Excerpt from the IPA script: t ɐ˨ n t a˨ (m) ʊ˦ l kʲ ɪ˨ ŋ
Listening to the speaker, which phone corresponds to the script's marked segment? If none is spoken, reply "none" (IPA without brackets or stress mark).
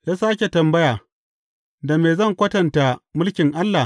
m